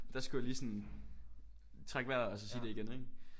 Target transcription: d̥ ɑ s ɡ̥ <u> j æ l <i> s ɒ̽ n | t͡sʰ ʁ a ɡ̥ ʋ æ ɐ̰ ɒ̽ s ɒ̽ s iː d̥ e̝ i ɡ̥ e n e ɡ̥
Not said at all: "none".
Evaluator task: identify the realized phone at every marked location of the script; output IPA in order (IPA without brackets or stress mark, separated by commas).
u, iː